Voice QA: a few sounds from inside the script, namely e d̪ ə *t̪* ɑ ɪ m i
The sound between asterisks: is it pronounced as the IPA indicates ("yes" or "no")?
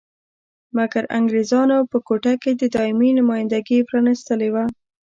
no